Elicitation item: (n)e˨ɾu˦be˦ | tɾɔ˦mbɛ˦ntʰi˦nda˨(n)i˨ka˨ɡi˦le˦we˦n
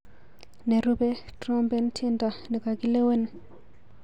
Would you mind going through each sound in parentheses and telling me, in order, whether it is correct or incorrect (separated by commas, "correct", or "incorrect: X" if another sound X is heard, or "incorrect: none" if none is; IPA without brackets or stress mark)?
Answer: correct, correct